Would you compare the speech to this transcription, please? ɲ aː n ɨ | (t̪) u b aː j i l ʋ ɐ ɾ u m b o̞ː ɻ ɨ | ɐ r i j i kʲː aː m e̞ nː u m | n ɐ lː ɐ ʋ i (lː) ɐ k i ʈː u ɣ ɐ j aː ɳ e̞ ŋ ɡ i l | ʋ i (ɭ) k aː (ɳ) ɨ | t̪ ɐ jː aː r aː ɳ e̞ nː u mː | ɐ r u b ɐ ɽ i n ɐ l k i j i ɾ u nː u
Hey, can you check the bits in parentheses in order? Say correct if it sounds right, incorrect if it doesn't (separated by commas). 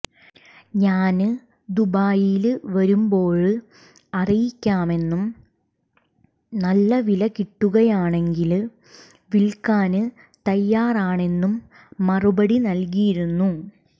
incorrect, incorrect, incorrect, incorrect